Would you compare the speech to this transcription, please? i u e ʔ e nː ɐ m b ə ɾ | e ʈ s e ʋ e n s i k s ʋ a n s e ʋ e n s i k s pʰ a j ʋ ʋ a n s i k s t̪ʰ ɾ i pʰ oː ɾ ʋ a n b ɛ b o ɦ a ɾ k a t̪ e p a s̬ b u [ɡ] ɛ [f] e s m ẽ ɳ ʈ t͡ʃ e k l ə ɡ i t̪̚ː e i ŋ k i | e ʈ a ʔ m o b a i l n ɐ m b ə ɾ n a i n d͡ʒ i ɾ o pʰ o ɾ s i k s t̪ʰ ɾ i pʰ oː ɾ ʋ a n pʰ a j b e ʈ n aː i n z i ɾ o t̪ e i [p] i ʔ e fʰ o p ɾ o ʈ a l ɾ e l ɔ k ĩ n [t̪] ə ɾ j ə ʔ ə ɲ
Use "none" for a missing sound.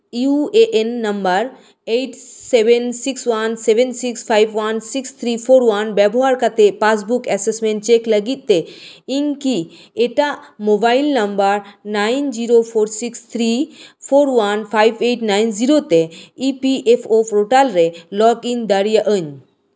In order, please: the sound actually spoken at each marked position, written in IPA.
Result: k, s, p, d̪

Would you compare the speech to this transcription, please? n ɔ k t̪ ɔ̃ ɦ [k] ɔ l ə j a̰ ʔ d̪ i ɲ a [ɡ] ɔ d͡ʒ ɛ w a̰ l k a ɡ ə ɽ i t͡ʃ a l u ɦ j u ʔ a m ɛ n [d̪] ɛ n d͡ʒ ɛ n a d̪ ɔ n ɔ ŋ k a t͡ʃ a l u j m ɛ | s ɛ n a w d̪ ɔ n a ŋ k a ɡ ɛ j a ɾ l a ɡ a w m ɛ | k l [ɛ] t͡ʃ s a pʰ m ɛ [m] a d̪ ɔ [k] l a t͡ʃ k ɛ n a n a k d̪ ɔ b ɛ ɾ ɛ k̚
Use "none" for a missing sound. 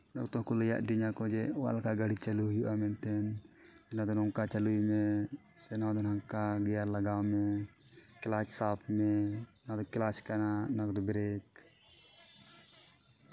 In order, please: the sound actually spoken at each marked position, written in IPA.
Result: k, k, t̪, a, n, k

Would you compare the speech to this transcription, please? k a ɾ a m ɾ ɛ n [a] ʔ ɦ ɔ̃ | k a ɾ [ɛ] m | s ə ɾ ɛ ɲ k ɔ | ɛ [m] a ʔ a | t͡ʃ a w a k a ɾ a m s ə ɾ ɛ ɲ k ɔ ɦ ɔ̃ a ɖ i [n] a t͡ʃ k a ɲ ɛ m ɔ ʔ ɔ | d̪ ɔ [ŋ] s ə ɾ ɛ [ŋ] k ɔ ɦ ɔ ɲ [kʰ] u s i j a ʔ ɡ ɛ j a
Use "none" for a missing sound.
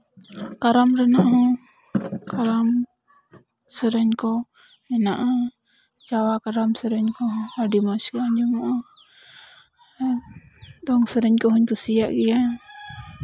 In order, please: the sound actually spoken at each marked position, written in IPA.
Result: a, a, n, m, ŋ, ɲ, k

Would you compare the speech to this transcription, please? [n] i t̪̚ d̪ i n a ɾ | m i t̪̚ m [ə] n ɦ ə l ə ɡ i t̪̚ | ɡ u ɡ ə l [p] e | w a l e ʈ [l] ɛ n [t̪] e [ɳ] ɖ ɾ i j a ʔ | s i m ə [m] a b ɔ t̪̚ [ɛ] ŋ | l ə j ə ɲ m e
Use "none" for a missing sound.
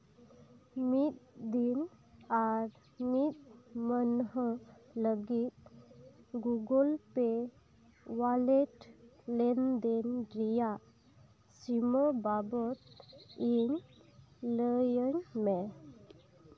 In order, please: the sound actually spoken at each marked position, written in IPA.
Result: m, ə, p, l, d̪, n, b, i

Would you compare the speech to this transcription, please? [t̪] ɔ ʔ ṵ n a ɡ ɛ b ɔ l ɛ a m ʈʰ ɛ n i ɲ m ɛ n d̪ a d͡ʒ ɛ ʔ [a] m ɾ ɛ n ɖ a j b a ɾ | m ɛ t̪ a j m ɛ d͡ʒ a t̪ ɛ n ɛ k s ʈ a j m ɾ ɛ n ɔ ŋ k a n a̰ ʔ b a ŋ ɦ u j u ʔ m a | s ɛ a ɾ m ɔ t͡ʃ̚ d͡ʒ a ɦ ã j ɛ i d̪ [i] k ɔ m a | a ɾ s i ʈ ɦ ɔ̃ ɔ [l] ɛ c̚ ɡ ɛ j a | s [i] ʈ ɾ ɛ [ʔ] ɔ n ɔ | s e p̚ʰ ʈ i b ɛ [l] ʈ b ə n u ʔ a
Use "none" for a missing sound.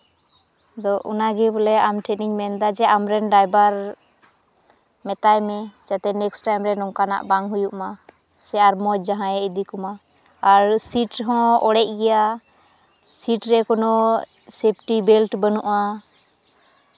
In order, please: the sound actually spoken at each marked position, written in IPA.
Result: d̪, a, i, ɽ, i, k, l

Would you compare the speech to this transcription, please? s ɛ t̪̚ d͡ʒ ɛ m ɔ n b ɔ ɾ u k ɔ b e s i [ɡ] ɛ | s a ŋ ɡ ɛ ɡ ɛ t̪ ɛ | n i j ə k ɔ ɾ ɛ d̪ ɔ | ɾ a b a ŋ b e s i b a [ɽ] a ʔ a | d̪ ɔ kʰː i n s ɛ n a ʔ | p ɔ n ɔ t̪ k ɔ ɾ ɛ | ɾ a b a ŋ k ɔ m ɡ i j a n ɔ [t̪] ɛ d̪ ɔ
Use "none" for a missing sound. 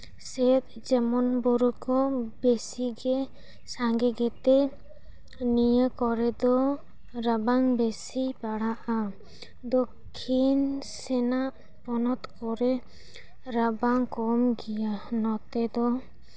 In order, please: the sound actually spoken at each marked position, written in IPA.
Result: ɡ, ɽ, t̪

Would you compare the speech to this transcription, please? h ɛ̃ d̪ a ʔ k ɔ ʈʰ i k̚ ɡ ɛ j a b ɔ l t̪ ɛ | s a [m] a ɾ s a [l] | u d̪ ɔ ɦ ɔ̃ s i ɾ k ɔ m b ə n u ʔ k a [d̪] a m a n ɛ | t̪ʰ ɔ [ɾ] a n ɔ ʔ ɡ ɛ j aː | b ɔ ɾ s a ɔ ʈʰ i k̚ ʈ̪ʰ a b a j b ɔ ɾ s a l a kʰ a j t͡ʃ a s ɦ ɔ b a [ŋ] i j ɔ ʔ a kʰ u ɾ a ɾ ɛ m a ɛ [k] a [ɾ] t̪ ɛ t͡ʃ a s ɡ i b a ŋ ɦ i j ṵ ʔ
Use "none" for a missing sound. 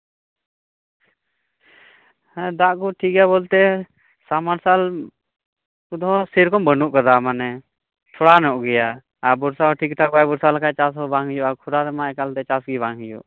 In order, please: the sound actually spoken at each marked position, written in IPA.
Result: m, l, d̪, ɽ, ŋ, k, l

